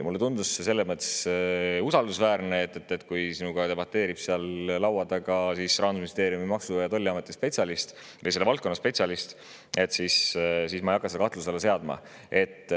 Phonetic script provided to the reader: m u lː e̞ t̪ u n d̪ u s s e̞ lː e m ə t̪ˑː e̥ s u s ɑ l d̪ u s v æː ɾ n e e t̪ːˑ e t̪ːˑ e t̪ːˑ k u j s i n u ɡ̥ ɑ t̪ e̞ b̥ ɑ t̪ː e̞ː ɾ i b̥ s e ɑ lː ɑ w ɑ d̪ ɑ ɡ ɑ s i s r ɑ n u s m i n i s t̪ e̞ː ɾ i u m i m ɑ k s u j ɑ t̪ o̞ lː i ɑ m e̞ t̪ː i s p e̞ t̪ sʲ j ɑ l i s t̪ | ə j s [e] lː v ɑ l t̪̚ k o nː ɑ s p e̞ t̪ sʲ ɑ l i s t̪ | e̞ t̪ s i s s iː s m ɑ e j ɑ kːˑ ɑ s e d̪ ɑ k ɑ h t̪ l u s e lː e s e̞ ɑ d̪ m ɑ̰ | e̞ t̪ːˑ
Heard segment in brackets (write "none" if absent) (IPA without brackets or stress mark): e